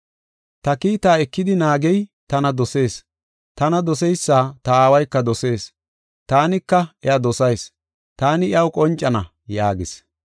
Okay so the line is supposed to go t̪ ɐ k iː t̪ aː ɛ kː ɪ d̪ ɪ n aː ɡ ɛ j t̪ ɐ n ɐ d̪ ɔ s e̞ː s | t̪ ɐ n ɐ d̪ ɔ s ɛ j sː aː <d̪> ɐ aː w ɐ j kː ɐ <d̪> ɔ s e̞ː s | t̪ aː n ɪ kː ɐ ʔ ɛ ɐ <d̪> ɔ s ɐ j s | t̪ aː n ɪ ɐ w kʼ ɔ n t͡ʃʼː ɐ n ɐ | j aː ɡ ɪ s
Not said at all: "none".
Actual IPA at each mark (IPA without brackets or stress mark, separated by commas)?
t̪, d̪, d̪